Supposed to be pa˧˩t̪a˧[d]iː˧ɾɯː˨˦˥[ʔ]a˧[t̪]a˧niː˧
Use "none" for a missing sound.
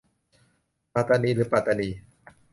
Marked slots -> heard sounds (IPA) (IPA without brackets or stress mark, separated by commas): n, p, t̪